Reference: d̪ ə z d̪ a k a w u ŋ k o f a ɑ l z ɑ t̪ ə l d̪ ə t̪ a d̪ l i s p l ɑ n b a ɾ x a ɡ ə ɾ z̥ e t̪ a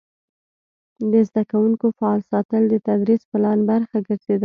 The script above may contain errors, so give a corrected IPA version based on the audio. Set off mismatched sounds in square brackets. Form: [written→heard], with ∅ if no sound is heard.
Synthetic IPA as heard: d̪ ə z d̪ a k a w u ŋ k o f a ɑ l [z→s] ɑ t̪ ə l d̪ ə t̪ a d̪ [l→ɾ] i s p l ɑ n b a ɾ x a ɡ ə ɾ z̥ e [t̪→d̪] a